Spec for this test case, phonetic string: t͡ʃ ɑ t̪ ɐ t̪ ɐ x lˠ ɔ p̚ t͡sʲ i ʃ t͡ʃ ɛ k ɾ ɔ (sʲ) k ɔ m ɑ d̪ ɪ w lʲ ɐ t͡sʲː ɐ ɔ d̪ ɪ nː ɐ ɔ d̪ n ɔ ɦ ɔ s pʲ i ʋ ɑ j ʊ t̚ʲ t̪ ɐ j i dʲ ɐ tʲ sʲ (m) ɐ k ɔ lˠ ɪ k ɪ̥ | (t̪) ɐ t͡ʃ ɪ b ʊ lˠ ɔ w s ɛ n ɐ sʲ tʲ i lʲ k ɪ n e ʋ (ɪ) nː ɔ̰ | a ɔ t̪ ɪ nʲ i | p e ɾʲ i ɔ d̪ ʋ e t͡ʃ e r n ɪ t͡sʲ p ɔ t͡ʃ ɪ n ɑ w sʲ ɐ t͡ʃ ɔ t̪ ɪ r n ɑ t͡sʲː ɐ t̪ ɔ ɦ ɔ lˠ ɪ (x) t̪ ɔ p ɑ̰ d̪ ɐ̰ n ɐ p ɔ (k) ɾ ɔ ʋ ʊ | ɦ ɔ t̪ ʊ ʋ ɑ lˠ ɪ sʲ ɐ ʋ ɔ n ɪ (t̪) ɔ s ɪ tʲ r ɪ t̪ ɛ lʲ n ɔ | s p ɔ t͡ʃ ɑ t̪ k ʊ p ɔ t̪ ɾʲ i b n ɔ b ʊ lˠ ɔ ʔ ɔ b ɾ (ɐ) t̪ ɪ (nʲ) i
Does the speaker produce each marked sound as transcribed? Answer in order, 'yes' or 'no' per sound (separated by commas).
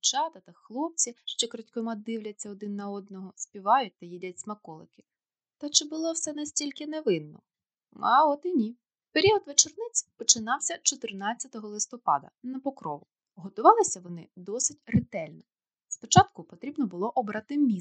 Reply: no, yes, yes, yes, no, yes, no, no, no